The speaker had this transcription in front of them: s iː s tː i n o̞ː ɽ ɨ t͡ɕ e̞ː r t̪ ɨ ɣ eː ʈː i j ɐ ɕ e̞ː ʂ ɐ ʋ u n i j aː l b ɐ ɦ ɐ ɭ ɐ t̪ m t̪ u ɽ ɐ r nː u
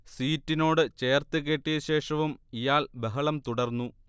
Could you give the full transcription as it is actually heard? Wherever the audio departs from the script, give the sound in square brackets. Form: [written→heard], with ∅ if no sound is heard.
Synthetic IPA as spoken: s iː [s→∅] tː i n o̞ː ɽ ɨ t͡ɕ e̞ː r t̪ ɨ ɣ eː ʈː i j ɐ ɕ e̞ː ʂ ɐ ʋ u [n→m] i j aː l b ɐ ɦ ɐ ɭ ɐ [t̪→∅] m t̪ u ɽ ɐ r nː u